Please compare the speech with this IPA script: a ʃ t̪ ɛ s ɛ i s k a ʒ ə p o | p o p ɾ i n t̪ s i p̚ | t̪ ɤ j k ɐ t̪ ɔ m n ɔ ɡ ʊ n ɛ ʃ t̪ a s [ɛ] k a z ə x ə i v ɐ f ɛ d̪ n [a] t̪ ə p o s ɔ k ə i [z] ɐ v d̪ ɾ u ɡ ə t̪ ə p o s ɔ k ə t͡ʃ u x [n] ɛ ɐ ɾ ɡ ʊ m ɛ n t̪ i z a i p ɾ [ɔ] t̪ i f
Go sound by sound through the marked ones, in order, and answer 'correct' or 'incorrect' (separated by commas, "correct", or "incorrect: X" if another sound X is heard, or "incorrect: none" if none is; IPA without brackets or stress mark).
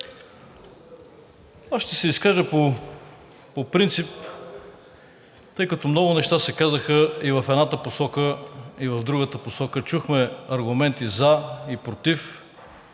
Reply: correct, correct, incorrect: v, incorrect: m, incorrect: o